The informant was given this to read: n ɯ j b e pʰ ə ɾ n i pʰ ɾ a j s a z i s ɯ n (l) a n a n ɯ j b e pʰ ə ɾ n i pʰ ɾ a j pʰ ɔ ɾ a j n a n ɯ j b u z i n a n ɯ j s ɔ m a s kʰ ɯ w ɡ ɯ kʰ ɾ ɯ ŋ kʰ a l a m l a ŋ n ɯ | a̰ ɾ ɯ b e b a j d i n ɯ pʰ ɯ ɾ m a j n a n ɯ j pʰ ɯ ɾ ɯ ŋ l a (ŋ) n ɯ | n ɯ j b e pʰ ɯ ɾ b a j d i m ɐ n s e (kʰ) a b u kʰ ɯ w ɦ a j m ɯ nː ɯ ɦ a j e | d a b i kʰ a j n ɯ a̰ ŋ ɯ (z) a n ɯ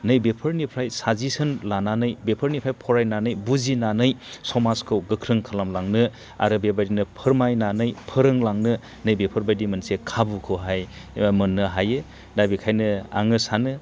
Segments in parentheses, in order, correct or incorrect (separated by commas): correct, correct, correct, incorrect